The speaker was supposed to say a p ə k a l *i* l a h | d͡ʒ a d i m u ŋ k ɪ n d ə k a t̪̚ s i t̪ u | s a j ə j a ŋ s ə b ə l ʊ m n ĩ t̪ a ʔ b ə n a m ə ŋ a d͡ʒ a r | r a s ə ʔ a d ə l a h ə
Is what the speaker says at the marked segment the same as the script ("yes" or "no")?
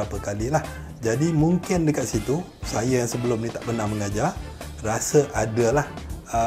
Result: yes